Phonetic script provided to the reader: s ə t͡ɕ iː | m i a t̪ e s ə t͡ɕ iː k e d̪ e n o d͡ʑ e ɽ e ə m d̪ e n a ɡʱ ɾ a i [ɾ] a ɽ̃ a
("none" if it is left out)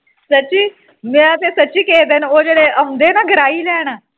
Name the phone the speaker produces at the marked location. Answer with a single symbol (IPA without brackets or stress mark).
l